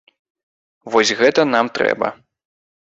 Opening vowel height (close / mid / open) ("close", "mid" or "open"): mid